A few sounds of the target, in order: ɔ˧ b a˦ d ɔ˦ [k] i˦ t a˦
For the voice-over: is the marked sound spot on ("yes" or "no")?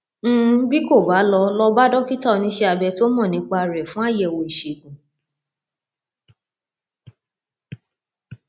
yes